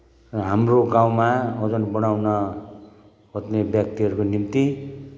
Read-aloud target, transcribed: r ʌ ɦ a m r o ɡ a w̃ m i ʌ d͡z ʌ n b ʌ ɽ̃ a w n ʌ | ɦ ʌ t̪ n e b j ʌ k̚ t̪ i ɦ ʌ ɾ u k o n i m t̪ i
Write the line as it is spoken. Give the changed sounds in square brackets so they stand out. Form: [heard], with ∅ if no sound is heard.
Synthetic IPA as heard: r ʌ ɦ a m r o ɡ a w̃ m [a] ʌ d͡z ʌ n b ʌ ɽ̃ a w n ʌ | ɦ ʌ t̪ n e b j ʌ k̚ t̪ i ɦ ʌ ɾ u k o n i m t̪ i

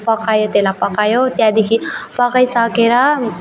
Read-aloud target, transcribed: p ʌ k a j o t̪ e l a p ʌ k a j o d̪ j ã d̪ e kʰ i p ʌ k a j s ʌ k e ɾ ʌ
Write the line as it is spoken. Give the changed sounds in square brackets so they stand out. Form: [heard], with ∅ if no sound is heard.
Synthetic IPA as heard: p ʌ k a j o t̪ e l a p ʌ k a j o [t̪] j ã d̪ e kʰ i p ʌ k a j s ʌ k e ɾ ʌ

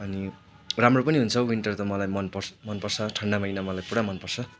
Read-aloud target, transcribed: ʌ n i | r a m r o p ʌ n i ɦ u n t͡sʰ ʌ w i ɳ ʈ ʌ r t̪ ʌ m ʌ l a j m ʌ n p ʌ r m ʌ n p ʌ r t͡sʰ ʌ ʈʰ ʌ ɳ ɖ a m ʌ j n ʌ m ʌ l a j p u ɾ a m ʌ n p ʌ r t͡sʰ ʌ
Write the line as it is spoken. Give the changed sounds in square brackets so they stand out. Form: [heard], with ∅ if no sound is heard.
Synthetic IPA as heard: ʌ n i | r a m r o p ʌ n i ɦ u n t͡sʰ ʌ w i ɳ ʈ ʌ r t̪ ʌ m ʌ l a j m ʌ n p ʌ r m ʌ n p ʌ r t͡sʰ ʌ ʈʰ ʌ ɳ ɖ a m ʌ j n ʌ m ʌ l a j p u [ɽ] a m ʌ n p ʌ r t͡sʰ ʌ

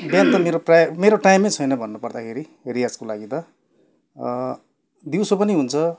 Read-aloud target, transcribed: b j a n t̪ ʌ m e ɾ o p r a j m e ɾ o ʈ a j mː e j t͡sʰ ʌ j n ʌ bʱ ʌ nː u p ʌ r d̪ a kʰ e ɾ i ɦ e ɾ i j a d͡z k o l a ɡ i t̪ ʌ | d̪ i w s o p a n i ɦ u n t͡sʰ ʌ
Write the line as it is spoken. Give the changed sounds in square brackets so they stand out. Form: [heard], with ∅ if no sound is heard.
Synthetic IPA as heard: b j a n t̪ ʌ m e ɾ o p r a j m e ɾ o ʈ a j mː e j t͡sʰ ʌ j n ʌ bʱ ʌ nː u p ʌ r d̪ a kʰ e ɾ i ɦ e ɾ i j a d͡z k o l a ɡ i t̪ ʌ | d̪ i w s o p [ʌ] n i ɦ u n t͡sʰ ʌ

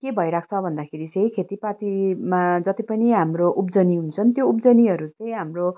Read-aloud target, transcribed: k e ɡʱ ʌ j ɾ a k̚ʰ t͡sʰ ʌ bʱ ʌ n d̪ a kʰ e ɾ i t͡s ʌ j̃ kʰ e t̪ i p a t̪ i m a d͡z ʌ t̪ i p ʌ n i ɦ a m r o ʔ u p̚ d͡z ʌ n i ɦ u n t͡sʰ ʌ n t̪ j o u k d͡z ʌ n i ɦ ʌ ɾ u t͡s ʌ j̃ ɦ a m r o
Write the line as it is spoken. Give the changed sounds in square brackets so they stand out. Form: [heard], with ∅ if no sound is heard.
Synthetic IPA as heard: k e [bʱ] ʌ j ɾ a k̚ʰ t͡sʰ ʌ bʱ ʌ n d̪ a kʰ e ɾ i t͡s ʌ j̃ kʰ e t̪ i p a t̪ i m a d͡z ʌ t̪ i p ʌ n i ɦ a m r o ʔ u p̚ d͡z ʌ n i ɦ u n t͡sʰ ʌ n t̪ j o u [p] d͡z ʌ n i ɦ ʌ ɾ u t͡s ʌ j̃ ɦ a m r o

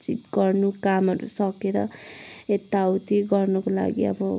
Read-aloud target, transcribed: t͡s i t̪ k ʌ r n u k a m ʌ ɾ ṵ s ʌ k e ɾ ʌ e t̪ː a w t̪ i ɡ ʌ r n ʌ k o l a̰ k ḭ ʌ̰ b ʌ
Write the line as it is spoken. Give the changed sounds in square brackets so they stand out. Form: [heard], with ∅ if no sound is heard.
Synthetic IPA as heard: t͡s i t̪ [ɡ] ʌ r n u k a m ʌ ɾ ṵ s ʌ k e ɾ ʌ e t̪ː a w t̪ i ɡ ʌ r n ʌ k o l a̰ [ɡ] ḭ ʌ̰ b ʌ

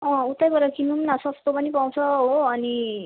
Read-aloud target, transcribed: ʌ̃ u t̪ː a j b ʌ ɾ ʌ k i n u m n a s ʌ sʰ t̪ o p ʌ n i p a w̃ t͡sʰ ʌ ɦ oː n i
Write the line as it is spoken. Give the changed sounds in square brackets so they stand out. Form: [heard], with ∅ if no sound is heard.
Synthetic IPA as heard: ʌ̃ u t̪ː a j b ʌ ɾ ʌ k i n u m n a s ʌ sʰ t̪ o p ʌ n i p a w̃ t͡sʰ ʌ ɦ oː n i

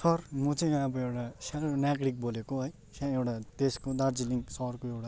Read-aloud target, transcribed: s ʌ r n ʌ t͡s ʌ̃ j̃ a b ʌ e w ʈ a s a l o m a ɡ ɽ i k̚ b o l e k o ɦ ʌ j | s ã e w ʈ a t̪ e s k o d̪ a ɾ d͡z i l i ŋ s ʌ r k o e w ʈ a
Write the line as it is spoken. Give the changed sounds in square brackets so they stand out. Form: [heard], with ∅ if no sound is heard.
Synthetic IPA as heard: s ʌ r [m] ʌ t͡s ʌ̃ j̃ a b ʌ e w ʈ a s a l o [n] a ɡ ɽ i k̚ b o l e k o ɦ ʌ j | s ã e w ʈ a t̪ e s k o d̪ a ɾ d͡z i l i ŋ s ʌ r k o e w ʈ a

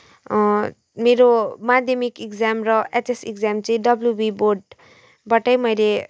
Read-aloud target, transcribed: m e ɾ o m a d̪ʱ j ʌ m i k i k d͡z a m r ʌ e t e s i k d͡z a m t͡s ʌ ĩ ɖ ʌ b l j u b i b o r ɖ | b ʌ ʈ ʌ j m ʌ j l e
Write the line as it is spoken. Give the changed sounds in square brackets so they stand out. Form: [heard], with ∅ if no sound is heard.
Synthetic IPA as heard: m e ɾ o m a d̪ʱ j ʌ m i k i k d͡z a m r ʌ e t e s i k d͡z a m t͡s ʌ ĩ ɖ ʌ b l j u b i b o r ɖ | b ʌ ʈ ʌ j m ʌ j l e

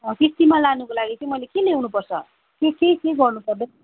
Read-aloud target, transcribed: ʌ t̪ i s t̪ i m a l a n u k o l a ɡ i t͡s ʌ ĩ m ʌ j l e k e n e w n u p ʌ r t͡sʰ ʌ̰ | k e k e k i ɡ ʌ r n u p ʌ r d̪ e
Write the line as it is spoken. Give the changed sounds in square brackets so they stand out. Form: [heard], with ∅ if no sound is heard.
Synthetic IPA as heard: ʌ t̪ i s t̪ i m a l a n u k o l a ɡ i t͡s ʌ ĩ m ʌ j l e k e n e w n u p ʌ r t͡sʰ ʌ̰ | k e k e k [e] ɡ ʌ r n u p ʌ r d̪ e

